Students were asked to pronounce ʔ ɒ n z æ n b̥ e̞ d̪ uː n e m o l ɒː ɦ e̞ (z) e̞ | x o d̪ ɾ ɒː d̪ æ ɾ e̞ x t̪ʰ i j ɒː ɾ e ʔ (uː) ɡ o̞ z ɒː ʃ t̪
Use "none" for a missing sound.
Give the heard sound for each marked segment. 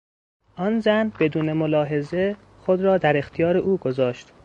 z, uː

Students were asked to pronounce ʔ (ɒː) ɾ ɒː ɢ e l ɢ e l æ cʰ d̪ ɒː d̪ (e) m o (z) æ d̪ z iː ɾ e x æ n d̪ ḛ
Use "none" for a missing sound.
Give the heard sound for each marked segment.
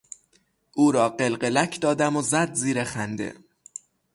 uː, æ, z

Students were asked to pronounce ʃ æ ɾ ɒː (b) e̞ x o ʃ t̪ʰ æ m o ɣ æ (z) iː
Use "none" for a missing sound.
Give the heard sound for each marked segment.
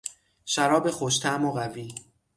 b, v

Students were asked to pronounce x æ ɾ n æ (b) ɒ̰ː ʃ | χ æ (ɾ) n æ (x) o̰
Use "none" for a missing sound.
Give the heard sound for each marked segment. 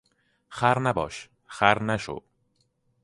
b, ɾ, ʃ

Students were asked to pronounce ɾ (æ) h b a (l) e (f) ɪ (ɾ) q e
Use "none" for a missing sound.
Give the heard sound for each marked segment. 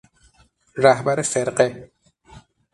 a, ɾ, f, ɾ

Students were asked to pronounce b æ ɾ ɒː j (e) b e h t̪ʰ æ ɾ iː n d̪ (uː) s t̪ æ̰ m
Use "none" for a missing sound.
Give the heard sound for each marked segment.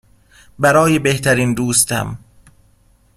e, uː

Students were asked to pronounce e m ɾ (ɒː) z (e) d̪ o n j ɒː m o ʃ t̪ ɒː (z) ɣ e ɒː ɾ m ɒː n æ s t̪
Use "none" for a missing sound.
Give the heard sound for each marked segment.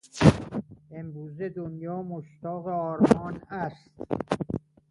uː, e, none

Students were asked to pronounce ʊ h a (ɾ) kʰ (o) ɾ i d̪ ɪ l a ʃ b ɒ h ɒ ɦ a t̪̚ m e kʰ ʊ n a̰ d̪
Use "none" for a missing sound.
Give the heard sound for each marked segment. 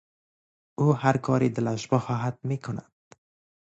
ɾ, ɒ

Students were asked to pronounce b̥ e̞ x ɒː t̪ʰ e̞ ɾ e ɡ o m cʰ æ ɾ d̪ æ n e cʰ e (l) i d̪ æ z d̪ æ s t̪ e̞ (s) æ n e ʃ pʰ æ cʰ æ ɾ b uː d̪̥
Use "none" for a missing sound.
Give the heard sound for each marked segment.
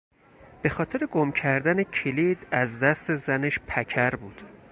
l, z

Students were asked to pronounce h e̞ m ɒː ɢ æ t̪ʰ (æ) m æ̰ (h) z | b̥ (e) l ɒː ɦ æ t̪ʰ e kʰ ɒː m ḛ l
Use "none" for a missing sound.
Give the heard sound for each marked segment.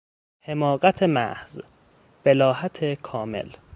e, h, e

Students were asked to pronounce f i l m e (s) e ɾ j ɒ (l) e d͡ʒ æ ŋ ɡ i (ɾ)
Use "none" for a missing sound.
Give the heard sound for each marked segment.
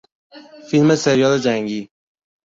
s, l, none

